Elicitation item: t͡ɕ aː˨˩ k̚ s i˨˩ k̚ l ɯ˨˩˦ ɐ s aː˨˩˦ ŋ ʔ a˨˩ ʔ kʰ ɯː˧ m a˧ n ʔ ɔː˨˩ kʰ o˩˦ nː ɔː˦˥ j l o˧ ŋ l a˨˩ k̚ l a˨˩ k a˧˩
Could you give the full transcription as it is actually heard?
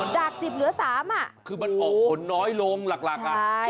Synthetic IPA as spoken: t͡ɕ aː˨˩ k̚ s i˨˩ p̚ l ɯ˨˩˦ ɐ s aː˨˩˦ m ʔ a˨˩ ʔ kʰ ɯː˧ m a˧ n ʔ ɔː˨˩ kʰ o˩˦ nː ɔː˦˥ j l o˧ ŋ l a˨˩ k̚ l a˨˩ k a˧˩